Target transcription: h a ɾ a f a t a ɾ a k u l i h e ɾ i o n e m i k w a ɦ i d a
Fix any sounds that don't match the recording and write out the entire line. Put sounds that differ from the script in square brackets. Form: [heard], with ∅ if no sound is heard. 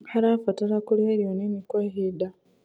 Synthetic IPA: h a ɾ a f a t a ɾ a k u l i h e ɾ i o n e m i k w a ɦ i d a